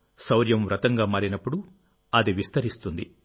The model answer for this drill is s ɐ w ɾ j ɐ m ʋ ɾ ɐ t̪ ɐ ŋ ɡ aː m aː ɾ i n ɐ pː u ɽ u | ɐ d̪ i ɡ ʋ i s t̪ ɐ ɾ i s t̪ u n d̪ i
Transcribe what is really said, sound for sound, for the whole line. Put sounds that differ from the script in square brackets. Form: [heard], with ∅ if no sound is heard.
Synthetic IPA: s ɐ w ɾ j ɐ m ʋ ɾ ɐ t̪ ɐ ŋ ɡ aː m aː ɾ i n ɐ pː u ɽ u | ɐ d̪ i [∅] ʋ i s t̪ ɐ ɾ i s t̪ u n d̪ i